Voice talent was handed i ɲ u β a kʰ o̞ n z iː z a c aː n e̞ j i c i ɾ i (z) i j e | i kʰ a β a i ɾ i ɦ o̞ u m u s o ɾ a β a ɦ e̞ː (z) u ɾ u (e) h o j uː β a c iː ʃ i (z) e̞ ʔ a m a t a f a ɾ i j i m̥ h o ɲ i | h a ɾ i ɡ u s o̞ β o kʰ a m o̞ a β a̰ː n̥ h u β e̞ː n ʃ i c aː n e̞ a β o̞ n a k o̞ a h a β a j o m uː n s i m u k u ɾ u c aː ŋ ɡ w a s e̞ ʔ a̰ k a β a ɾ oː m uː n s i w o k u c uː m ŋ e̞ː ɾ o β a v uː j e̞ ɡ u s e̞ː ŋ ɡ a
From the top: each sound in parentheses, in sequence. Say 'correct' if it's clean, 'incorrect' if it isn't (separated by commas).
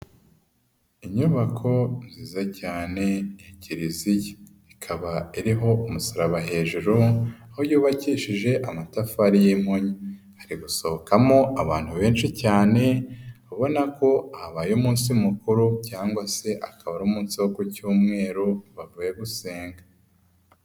correct, incorrect, incorrect, incorrect